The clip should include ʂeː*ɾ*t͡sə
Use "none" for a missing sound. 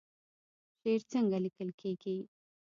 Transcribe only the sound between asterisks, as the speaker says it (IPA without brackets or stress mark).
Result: ɾ